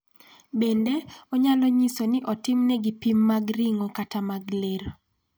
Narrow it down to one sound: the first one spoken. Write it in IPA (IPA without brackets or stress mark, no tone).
b